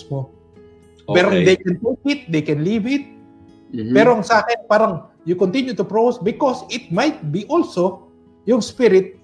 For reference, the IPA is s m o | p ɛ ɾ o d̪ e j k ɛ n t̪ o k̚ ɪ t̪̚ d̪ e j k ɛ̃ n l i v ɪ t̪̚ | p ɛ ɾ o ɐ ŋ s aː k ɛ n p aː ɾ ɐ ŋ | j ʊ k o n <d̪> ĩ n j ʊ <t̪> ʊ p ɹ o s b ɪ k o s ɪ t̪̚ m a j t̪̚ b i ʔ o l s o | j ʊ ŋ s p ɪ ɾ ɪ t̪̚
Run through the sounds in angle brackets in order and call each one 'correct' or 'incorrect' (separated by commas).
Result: incorrect, correct